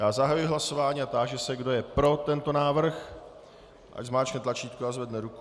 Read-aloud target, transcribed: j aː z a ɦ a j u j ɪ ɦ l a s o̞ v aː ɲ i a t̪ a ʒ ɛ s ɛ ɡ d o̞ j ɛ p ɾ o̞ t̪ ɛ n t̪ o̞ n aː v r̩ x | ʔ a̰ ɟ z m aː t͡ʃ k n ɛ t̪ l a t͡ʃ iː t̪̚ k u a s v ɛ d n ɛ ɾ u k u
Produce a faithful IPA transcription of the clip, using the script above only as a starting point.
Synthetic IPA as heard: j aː z a ɦ a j u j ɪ ɦ l a s o̞ v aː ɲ i a t̪ a ʒ ɛ s ɛ ɡ d o̞ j ɛ p ɾ o̞ t̪ ɛ n t̪ o̞ n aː v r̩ x | ʔ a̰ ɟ z m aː t͡ʃ k n ɛ t̪ l a t͡ʃ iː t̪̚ k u a z v ɛ d n ɛ ɾ u k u